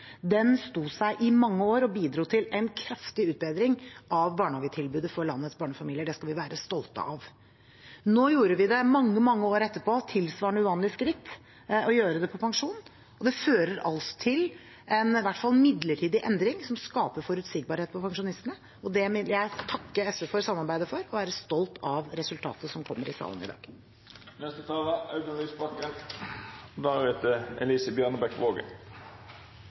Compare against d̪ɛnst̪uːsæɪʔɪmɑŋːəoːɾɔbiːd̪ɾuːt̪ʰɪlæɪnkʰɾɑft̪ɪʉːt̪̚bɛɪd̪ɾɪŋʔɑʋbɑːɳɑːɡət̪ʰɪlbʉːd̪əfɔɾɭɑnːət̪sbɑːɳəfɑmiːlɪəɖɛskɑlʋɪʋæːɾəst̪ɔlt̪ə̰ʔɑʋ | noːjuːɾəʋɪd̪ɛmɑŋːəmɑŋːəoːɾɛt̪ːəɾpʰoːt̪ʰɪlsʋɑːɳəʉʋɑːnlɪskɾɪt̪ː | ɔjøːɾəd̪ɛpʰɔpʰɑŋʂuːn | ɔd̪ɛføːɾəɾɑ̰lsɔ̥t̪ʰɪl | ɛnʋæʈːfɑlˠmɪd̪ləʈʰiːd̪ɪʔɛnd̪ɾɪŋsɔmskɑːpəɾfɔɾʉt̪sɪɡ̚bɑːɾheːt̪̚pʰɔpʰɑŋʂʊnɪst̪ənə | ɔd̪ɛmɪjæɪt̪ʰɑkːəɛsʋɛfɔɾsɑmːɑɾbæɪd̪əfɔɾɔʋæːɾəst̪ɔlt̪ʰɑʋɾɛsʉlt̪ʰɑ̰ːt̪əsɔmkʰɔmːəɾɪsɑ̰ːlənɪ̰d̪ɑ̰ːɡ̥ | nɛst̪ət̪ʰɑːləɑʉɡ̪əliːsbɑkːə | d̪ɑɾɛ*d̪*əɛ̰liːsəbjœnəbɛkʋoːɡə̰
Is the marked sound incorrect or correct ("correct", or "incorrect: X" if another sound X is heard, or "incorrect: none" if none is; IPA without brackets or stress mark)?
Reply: incorrect: t̪